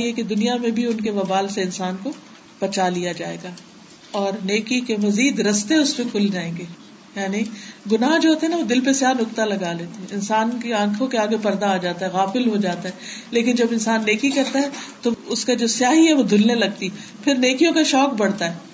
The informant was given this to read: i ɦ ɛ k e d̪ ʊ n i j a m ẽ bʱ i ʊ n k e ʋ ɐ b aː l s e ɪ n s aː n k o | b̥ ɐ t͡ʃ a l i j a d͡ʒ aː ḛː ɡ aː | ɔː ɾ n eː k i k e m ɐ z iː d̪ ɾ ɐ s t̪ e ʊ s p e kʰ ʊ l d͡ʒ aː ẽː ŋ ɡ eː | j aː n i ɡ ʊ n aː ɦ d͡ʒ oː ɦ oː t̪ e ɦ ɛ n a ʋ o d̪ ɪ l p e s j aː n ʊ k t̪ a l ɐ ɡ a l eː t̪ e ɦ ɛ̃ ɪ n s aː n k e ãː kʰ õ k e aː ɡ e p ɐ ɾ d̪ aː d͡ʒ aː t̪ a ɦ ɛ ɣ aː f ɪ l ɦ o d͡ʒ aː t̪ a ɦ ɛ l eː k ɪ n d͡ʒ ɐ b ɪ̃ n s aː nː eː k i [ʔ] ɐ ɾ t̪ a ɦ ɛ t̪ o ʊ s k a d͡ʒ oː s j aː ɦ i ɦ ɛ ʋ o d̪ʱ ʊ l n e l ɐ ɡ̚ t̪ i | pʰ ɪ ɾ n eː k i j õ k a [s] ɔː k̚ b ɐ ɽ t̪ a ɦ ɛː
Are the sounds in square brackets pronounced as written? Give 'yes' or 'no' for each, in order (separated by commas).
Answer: no, no